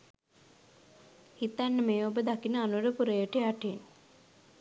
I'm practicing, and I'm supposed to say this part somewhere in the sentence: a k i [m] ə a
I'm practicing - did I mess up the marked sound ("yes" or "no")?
yes